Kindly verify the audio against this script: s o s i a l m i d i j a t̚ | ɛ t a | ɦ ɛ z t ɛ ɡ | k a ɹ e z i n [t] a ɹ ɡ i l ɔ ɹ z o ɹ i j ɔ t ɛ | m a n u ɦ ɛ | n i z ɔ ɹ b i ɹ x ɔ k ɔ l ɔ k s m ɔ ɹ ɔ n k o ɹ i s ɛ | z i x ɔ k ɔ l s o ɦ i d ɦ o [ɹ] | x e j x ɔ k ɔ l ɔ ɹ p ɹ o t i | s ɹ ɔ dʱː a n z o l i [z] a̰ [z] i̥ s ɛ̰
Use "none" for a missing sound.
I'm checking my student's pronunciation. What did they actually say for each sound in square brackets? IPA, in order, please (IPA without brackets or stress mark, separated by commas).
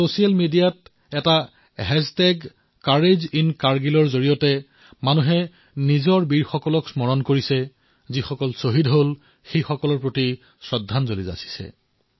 k, l, z, s